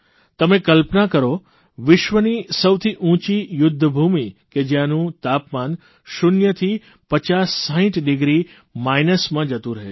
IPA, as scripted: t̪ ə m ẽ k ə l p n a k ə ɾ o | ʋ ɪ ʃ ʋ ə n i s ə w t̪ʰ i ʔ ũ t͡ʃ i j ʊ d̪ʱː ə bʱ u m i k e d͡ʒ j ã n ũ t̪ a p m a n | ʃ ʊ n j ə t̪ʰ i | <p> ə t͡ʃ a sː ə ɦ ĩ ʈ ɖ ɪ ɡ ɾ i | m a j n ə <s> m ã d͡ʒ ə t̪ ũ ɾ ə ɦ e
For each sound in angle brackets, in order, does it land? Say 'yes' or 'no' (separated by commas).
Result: yes, yes